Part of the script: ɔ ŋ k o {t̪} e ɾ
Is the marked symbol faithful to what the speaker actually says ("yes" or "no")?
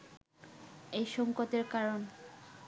yes